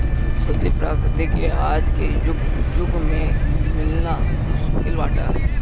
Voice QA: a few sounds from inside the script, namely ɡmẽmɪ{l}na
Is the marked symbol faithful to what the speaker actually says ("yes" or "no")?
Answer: yes